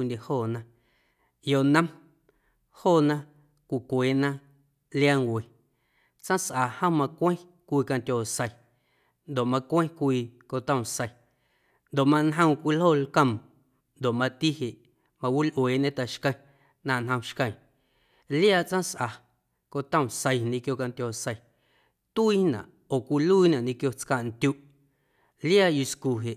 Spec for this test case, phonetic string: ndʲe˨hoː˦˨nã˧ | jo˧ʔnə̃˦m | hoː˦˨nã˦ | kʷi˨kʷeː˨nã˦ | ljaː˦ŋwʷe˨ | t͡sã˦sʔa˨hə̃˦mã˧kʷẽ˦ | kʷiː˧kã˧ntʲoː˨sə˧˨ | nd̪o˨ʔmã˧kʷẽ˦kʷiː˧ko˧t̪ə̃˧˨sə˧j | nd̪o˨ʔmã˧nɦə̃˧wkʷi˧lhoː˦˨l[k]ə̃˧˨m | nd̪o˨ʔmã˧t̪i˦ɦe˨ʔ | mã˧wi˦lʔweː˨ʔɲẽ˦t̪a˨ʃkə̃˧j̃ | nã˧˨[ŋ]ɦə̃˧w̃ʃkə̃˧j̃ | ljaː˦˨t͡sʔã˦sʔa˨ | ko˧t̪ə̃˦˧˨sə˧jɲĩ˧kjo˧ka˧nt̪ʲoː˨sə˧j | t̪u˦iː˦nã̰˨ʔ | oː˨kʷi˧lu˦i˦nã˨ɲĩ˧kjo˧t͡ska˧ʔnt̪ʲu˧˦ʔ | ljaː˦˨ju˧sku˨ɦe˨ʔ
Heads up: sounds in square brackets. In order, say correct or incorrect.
correct, incorrect: n

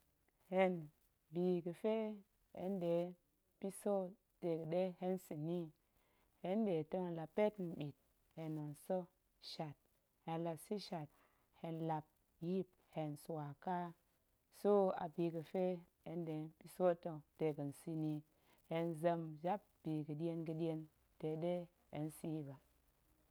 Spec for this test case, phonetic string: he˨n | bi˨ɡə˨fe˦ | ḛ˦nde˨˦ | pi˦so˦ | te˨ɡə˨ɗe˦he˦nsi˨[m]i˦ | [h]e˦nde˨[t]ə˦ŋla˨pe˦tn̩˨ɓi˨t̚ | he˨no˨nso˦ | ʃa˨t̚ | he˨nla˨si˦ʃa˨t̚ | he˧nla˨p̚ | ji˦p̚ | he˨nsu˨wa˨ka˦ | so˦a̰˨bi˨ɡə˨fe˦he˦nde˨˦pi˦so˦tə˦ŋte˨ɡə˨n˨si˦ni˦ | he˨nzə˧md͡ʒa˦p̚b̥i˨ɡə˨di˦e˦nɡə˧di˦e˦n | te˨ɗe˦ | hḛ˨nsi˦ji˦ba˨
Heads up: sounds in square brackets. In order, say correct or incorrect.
incorrect: n, correct, correct

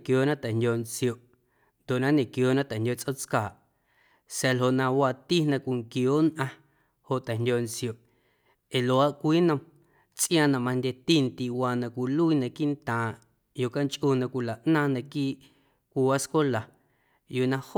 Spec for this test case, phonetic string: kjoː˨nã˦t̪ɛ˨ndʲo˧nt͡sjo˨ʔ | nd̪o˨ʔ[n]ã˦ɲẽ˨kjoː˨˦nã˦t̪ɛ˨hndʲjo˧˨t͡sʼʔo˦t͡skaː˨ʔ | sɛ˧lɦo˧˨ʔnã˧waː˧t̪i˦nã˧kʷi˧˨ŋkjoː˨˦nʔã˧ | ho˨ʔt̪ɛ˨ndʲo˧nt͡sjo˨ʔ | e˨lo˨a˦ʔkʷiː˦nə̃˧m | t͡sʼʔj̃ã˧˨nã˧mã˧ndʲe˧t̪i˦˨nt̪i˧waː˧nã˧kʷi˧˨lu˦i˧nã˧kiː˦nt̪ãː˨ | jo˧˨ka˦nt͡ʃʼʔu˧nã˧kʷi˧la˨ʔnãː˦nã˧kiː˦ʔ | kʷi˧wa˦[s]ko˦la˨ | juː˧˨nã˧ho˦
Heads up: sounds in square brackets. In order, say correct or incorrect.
correct, correct

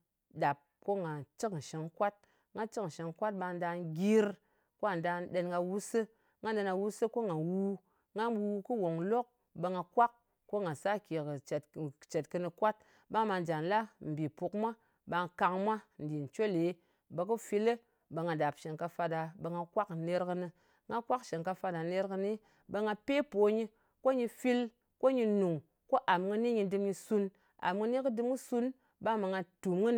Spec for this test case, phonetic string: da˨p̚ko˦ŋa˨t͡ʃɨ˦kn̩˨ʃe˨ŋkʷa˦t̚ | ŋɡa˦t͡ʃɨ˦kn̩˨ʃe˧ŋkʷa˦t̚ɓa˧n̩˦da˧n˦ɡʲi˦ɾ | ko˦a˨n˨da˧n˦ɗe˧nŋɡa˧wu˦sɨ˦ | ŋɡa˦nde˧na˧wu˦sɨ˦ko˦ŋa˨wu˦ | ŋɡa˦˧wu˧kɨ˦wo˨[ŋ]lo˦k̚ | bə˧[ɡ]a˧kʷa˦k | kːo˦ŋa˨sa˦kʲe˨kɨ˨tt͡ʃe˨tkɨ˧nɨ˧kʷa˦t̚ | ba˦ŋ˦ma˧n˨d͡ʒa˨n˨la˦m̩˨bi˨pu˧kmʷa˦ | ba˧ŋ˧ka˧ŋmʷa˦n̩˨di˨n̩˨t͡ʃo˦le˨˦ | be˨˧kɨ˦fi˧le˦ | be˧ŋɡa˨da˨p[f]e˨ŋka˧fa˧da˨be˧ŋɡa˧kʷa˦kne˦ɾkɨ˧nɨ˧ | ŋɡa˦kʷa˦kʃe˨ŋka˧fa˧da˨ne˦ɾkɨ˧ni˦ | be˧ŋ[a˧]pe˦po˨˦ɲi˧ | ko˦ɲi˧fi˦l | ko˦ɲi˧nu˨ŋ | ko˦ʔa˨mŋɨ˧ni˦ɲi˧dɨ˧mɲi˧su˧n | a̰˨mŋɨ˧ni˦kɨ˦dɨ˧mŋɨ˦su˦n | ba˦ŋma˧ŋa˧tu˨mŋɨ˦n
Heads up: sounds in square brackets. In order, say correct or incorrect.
correct, incorrect: ŋ, incorrect: ʃ, correct

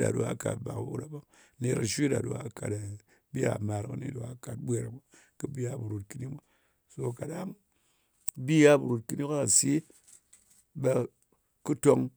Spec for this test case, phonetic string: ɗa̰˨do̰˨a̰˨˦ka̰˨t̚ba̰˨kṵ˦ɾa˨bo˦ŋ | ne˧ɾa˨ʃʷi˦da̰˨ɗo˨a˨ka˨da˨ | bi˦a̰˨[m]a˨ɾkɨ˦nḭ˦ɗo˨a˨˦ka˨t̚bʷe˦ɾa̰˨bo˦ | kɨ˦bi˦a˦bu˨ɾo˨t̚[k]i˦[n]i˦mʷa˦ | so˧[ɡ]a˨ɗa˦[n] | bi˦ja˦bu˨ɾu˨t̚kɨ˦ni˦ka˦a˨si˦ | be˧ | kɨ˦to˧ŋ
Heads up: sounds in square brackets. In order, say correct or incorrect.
correct, correct, correct, incorrect: k, incorrect: ŋ

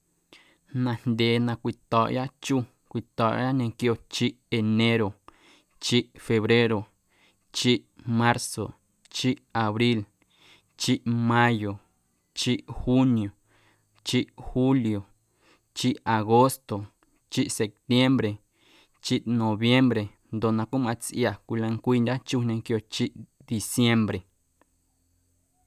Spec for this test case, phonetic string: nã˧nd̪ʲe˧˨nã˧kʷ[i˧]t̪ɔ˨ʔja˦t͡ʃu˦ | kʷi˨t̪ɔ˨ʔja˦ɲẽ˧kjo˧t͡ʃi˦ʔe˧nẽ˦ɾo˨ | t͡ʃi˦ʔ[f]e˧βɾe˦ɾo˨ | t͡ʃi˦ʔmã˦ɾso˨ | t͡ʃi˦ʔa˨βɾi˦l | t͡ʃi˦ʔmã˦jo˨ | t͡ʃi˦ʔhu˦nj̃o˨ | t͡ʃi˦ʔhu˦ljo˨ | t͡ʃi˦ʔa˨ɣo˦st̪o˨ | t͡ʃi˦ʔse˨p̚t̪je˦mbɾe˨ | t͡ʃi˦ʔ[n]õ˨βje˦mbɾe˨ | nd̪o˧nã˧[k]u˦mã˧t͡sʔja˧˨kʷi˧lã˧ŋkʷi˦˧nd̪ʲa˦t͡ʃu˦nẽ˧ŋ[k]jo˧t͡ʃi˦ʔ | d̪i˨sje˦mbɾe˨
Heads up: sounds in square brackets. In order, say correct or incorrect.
correct, correct, correct, correct, correct

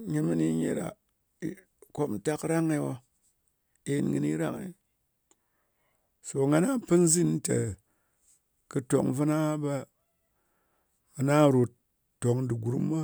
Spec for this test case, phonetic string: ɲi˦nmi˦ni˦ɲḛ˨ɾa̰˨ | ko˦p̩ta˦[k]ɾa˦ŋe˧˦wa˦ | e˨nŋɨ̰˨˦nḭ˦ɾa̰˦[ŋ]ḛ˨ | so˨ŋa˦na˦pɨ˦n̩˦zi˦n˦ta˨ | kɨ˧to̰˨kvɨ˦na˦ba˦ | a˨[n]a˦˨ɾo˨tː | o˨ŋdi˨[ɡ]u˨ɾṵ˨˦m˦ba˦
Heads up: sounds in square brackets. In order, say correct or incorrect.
correct, correct, correct, correct

